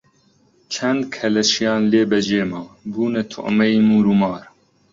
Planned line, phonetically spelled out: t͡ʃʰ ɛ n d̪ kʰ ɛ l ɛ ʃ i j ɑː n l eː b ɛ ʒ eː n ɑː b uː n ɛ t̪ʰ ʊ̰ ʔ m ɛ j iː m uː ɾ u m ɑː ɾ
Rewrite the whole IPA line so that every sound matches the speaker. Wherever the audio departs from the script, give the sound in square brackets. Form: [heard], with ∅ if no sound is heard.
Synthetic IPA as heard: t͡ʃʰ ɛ n d̪ kʰ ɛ l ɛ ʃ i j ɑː n l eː b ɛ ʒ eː [m] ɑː b uː n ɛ t̪ʰ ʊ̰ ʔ m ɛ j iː m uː ɾ u m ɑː ɾ